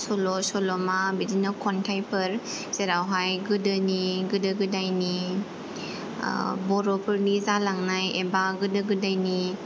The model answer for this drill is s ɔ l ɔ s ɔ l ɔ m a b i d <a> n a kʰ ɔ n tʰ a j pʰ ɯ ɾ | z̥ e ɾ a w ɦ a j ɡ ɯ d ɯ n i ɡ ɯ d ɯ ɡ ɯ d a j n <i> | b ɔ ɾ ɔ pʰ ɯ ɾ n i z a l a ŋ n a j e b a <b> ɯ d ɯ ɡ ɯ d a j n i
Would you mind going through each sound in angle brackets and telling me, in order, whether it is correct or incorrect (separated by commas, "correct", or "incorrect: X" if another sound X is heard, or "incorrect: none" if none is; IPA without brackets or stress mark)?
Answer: incorrect: i, correct, incorrect: ɡ